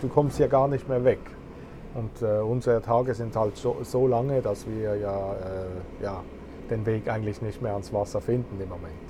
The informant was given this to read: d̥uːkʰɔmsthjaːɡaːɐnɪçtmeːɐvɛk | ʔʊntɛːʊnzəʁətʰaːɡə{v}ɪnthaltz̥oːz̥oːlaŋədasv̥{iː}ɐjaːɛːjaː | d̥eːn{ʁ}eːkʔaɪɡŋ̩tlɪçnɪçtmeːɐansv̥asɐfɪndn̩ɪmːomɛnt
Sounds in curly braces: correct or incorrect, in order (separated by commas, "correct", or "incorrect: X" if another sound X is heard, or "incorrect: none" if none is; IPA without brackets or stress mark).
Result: incorrect: z, correct, incorrect: v